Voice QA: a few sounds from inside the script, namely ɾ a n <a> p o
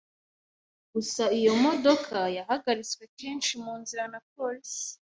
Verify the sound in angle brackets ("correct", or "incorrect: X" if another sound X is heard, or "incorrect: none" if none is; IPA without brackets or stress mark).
correct